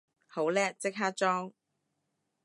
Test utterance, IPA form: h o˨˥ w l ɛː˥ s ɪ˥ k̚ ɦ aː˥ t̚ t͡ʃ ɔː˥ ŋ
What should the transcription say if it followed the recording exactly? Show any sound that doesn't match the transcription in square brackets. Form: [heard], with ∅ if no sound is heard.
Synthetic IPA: h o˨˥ w l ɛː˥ [t͡s] ɪ˥ k̚ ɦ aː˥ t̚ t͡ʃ ɔː˥ ŋ